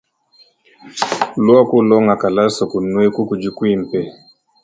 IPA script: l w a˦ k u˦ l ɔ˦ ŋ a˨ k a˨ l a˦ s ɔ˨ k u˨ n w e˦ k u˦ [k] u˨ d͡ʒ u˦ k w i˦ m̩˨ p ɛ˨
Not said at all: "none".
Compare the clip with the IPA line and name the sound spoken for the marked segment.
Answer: k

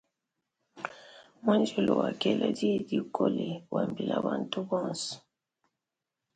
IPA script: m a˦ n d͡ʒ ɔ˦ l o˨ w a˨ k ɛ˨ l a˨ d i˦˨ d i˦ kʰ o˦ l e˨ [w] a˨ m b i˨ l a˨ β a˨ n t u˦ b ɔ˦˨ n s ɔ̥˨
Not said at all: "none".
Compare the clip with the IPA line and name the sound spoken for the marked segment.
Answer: w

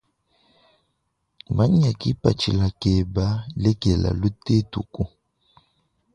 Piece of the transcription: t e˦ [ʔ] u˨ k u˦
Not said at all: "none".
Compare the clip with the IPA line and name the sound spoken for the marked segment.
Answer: t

